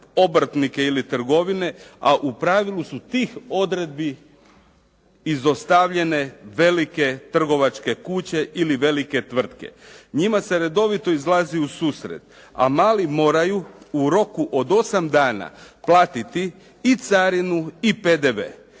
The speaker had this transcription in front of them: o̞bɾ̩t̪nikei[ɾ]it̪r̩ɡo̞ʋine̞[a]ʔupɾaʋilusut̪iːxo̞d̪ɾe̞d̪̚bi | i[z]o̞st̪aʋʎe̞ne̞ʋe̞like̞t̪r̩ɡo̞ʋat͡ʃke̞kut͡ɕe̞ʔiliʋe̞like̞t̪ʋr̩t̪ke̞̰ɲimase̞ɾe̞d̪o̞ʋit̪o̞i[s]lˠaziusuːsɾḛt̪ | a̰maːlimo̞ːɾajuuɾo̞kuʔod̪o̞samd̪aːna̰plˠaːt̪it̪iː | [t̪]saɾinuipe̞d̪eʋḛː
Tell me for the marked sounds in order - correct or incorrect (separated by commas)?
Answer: incorrect, correct, correct, incorrect, correct